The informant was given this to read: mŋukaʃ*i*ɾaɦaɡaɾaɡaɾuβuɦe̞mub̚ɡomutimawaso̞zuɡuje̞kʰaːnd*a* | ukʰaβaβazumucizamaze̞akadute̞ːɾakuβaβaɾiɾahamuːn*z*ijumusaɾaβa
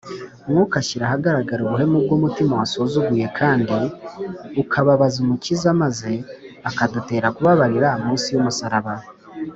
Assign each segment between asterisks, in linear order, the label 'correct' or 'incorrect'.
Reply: correct, incorrect: i, incorrect: s

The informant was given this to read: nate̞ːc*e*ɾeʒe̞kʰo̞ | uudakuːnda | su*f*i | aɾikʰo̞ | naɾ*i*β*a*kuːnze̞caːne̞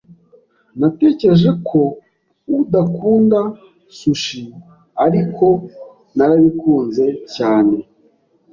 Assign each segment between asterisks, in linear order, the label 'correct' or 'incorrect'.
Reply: correct, incorrect: ʃ, incorrect: a, incorrect: i

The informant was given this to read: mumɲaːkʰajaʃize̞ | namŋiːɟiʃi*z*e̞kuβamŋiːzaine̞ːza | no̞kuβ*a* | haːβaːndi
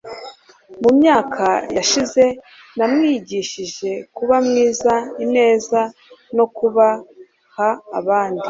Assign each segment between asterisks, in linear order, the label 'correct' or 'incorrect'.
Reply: incorrect: ʒ, correct

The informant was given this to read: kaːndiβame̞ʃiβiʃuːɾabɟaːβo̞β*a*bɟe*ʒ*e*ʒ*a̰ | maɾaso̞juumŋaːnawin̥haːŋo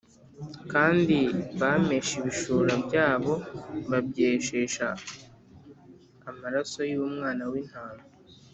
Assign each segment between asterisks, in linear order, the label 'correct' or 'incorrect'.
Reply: correct, incorrect: ʃ, incorrect: ʃ

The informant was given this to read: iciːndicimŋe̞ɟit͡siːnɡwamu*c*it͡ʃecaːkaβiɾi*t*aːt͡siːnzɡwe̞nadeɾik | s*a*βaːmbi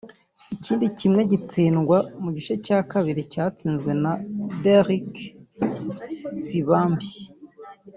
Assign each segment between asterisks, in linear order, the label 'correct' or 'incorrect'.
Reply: incorrect: ɟ, incorrect: c, incorrect: i

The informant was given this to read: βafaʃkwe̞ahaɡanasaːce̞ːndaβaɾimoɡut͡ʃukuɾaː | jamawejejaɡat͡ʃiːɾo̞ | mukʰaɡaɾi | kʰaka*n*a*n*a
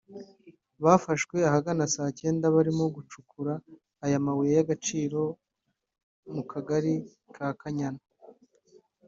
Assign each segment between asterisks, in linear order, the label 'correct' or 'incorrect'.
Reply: incorrect: ɲ, correct

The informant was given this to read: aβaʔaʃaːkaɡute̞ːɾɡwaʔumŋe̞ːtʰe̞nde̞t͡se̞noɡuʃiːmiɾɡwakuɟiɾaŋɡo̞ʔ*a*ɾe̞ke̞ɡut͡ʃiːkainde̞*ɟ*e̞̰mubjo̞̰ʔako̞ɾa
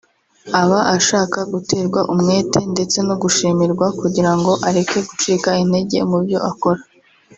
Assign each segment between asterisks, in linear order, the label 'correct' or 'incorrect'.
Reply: correct, correct

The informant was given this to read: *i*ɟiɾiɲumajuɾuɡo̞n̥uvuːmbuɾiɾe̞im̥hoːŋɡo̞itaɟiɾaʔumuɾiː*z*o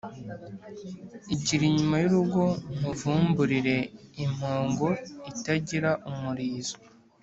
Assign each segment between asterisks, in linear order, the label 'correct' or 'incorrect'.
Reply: correct, correct

